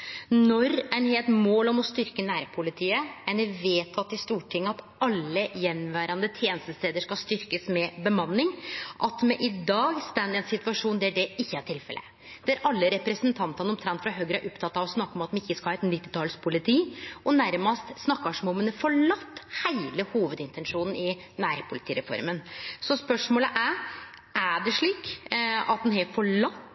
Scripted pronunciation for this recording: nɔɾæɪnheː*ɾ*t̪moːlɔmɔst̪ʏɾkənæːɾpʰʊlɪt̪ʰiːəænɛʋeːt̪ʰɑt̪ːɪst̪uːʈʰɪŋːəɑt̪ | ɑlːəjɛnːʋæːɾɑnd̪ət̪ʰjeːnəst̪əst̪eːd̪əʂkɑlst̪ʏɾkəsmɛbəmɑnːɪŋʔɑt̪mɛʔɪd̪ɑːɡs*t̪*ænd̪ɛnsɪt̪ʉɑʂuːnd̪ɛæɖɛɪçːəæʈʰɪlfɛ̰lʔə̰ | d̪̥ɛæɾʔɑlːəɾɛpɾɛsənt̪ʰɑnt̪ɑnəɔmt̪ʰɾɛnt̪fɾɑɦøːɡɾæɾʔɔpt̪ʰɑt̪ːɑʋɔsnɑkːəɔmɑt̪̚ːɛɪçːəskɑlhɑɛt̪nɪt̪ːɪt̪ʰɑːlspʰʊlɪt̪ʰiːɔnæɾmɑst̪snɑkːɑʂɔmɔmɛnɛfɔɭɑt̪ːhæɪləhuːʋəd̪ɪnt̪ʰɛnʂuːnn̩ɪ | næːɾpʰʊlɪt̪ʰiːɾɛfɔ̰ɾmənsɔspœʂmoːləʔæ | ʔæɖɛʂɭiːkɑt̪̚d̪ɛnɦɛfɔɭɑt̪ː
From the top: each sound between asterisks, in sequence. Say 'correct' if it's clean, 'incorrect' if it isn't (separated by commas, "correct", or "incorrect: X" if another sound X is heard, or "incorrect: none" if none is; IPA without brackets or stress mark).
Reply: incorrect: l, correct